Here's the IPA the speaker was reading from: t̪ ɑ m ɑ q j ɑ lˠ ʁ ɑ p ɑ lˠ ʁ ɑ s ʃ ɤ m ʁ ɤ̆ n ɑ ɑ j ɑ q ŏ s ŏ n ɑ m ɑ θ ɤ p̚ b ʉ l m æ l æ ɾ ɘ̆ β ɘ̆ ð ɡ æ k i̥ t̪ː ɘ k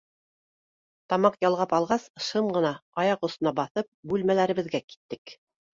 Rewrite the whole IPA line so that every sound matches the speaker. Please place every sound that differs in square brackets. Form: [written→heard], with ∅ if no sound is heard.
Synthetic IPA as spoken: t̪ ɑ m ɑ q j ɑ lˠ ʁ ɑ p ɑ lˠ ʁ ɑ s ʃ ɤ m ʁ ɤ̆ n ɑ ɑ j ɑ q ŏ s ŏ n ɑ [m→b] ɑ θ ɤ p̚ b ʉ l m æ l æ ɾ ɘ̆ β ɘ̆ ð ɡ æ k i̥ t̪ː ɘ k